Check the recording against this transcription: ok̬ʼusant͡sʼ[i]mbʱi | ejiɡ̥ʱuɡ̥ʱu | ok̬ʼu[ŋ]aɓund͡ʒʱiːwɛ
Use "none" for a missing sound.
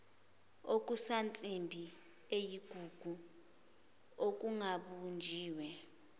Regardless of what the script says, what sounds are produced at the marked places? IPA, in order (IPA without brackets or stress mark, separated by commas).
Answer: i, ŋ